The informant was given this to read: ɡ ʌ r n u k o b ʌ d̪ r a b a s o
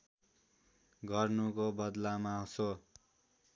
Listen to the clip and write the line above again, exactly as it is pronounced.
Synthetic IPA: ɡ ʌ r n u k o b ʌ d̪ l a m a s o